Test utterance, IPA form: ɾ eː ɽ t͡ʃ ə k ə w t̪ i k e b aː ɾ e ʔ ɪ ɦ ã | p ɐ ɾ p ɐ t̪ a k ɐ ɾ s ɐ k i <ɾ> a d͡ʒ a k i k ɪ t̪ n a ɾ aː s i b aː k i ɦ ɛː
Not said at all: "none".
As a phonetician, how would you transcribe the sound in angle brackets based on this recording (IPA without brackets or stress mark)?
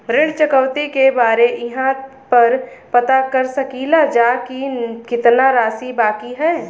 l